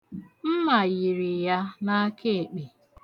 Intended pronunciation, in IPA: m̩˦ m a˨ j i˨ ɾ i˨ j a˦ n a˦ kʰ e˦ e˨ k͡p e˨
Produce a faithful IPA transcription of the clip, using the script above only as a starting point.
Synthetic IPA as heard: m̩˦ m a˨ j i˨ ɾ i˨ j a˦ n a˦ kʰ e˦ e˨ k͡p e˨